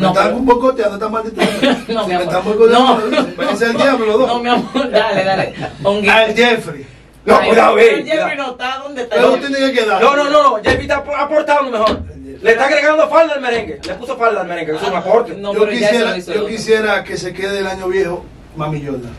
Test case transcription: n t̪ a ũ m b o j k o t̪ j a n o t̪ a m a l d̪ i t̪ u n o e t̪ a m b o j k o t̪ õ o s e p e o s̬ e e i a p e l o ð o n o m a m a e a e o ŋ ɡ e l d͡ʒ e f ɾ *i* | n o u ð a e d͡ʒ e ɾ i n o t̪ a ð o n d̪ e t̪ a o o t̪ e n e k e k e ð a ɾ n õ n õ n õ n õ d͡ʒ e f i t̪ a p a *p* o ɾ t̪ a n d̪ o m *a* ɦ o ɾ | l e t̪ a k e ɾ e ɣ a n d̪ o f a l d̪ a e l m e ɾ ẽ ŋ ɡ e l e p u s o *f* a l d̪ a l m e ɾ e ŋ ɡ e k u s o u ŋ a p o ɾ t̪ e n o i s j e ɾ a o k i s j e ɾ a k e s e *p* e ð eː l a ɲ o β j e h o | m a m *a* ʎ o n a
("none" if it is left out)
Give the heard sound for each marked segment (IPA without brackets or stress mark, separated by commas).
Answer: i, p, e, f, k, i